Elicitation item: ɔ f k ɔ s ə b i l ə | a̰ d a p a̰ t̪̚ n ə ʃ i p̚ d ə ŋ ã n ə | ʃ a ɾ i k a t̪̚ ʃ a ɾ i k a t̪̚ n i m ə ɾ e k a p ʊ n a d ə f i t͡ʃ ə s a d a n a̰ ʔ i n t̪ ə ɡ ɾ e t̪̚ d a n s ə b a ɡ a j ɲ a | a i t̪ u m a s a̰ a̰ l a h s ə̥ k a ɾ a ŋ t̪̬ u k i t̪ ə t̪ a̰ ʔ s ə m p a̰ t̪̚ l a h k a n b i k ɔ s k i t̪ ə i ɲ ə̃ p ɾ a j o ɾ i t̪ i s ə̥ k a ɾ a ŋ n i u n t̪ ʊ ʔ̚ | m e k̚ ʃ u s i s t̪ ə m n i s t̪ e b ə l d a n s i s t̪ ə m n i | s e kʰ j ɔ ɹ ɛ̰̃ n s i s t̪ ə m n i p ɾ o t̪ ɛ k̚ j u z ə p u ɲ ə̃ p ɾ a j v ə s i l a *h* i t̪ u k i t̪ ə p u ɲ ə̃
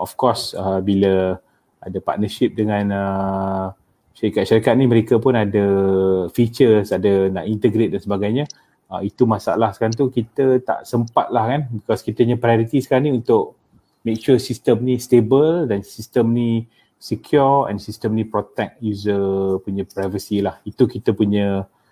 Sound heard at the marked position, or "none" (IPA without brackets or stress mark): h